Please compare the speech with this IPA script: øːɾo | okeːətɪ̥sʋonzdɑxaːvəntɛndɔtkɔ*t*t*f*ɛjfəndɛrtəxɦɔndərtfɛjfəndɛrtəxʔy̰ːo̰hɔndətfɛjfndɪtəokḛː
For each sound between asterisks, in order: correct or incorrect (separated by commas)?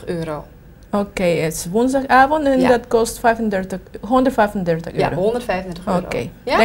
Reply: incorrect, correct